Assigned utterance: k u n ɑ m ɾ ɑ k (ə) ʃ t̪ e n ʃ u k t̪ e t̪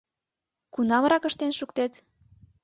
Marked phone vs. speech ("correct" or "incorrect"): correct